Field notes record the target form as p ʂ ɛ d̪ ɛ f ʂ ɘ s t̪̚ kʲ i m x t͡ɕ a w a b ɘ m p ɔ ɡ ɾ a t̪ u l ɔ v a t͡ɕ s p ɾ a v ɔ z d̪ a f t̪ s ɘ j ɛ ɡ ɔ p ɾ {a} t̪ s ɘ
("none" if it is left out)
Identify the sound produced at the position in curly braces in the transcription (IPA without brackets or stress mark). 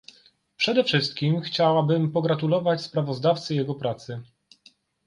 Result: a